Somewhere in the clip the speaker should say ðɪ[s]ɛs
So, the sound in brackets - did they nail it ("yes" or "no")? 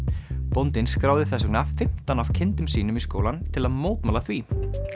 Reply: no